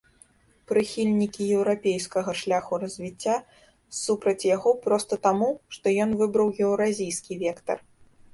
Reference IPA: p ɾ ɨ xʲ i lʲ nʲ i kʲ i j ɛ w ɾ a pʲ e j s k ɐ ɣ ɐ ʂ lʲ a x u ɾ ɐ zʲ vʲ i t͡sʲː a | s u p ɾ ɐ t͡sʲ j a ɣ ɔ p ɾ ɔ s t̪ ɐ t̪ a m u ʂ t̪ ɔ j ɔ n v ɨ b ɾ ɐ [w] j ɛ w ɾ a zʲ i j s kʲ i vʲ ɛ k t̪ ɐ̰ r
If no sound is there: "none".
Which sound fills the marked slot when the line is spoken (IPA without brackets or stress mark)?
w